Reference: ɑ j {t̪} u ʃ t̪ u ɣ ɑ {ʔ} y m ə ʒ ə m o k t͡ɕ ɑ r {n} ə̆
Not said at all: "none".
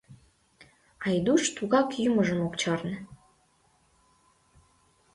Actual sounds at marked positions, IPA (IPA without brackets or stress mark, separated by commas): d̪, k, n